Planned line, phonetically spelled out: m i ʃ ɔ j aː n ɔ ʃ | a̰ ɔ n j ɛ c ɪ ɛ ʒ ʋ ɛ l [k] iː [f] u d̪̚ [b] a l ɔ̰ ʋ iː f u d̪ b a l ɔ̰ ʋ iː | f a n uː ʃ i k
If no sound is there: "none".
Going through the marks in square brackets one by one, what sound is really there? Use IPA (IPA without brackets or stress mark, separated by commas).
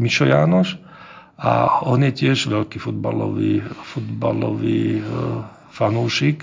k, f, b